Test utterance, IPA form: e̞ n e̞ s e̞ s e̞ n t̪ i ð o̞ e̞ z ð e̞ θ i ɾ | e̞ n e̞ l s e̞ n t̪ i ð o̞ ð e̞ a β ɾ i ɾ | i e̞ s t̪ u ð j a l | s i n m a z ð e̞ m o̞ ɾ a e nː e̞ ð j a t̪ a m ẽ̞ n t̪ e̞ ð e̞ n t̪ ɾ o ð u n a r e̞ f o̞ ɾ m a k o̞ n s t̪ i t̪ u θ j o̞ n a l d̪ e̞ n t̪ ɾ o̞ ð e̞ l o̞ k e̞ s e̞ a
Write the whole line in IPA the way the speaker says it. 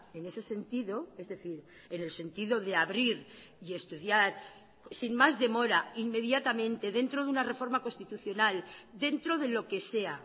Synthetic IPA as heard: e̞ n e̞ s e̞ s e̞ n t̪ i ð o̞ e̞ z ð e̞ θ i ɾ | e̞ n e̞ l s e̞ n t̪ i ð o̞ ð e̞ a β ɾ i ɾ | i e̞ s t̪ u ð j a ɾ | s i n m a z ð e̞ m o̞ ɾ a i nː e̞ ð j a t̪ a m ẽ̞ n t̪ e̞ ð e̞ n t̪ ɾ o ð u n a r e̞ f o̞ ɾ m a k o̞ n s t̪ i t̪ u θ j o̞ n a l d̪ e̞ n t̪ ɾ o̞ ð e̞ l o̞ k e̞ s e̞ a